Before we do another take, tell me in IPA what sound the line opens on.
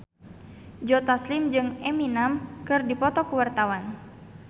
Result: d͡ʒ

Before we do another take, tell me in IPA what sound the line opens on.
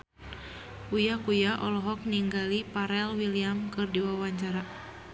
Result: u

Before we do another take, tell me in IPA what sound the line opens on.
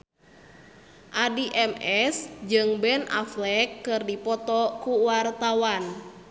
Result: ʔ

